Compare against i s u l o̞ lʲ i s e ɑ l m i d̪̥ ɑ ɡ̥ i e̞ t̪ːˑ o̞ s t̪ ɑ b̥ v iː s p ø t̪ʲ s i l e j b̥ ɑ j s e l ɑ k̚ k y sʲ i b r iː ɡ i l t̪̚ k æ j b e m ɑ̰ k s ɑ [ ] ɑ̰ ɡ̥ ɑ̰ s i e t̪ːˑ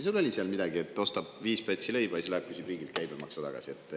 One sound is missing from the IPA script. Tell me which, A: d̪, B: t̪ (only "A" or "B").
B